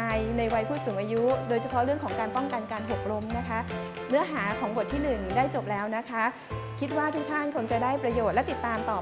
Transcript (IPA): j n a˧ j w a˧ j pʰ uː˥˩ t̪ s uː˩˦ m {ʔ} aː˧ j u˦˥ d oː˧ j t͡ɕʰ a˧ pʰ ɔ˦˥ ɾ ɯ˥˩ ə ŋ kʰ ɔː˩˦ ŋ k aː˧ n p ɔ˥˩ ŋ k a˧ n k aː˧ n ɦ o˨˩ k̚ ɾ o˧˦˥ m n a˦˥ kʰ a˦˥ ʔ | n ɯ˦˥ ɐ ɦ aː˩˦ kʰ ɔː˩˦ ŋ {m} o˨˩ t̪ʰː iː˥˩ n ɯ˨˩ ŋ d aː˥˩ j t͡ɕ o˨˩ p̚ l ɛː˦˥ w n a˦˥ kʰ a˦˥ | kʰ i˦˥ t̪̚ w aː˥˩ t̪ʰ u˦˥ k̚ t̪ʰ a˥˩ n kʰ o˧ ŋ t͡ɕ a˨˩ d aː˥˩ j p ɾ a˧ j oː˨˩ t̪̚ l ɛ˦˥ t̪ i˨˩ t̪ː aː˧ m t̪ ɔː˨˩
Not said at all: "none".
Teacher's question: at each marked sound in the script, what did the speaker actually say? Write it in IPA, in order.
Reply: ʔ, b

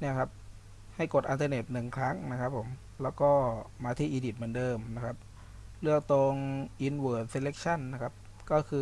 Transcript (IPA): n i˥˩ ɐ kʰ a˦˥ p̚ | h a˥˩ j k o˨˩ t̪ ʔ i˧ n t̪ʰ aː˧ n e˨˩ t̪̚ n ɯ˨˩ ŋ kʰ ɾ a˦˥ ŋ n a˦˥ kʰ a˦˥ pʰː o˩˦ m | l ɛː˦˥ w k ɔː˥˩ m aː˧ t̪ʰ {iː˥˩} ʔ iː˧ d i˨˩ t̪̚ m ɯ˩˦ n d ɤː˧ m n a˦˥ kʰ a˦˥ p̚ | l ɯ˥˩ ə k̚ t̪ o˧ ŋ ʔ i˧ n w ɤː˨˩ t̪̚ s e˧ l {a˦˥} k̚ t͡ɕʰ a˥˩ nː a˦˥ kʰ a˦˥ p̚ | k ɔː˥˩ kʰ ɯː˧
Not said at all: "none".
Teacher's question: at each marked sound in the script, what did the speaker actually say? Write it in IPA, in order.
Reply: iː˥˩, e˦˥

